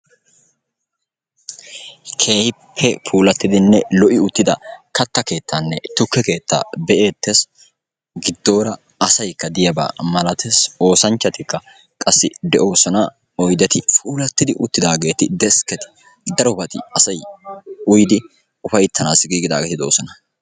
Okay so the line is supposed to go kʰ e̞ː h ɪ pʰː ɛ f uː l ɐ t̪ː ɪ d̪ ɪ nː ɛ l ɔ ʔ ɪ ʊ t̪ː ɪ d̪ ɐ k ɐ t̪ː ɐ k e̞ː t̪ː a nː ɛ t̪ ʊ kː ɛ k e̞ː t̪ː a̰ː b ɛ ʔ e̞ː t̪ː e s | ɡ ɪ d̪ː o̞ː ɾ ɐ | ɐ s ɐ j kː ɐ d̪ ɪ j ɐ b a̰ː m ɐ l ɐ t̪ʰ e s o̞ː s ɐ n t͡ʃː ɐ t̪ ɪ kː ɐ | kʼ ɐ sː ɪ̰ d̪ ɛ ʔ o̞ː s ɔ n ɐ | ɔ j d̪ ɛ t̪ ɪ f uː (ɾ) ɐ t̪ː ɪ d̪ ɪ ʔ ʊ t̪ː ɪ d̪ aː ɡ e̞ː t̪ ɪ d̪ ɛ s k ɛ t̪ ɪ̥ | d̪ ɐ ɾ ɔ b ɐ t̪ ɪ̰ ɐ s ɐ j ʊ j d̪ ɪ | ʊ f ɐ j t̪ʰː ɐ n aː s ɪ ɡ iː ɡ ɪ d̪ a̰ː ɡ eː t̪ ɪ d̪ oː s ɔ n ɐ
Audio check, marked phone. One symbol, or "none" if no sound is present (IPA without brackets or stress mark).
l